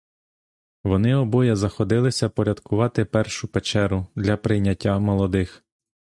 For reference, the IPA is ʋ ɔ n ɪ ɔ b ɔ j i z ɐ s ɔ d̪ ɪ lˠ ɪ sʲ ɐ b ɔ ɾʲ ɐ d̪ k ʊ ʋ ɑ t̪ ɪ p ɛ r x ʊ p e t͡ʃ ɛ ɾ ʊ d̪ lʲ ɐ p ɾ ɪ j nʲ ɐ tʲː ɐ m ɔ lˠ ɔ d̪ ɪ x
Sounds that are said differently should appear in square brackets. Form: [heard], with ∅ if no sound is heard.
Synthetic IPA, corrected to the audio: ʋ ɔ n ɪ ɔ b ɔ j [ɛ] z ɐ [x] ɔ d̪ ɪ lˠ ɪ sʲ ɐ [p] ɔ ɾʲ ɐ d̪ k ʊ ʋ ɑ t̪ ɪ p ɛ r [ʃ] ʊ p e t͡ʃ ɛ ɾ ʊ d̪ lʲ ɐ p ɾ ɪ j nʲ ɐ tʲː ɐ m ɔ lˠ ɔ d̪ ɪ x